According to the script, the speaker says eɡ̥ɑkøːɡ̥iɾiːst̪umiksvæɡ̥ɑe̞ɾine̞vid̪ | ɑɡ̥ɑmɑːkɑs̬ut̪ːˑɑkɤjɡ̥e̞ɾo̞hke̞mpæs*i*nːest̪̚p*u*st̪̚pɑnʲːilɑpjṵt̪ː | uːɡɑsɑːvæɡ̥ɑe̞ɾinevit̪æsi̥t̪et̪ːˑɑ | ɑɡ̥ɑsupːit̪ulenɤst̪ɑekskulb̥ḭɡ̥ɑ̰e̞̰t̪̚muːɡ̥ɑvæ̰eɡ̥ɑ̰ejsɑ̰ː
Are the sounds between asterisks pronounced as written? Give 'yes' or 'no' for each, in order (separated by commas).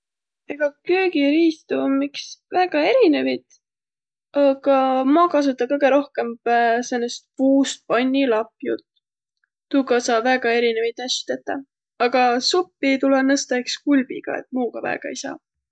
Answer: no, no